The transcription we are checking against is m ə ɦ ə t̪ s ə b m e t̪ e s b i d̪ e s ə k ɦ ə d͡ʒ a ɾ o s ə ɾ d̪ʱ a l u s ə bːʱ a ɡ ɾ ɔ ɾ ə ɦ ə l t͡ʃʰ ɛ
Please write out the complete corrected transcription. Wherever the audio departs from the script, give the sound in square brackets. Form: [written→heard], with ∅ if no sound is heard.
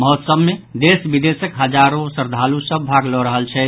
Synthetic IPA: m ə ɦ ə t̪ s ə b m e [t̪→d̪] e s b i d̪ e s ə k ɦ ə d͡ʒ a ɾ o s ə ɾ d̪ʱ a l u s ə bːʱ a ɡ [ɾ→l] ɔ ɾ ə ɦ ə l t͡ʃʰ ɛ